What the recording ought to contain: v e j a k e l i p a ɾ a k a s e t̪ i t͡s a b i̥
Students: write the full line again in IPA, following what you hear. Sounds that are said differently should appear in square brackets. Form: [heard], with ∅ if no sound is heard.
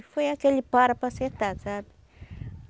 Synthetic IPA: [f] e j a k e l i p a ɾ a [p] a s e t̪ [a] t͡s a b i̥